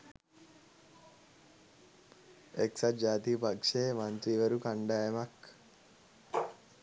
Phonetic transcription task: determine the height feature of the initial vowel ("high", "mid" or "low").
mid